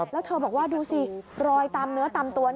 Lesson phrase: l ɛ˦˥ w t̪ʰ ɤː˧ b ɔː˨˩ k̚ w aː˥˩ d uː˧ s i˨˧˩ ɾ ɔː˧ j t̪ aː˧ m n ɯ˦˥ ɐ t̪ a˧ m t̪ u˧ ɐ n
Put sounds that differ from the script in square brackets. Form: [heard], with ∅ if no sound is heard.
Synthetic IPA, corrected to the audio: l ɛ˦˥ w t̪ʰ ɤː˧ b ɔː˨˩ k̚ w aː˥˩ d uː˧ s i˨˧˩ ɾ ɔː˧ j t̪ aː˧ m n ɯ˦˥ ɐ t̪ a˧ m t̪ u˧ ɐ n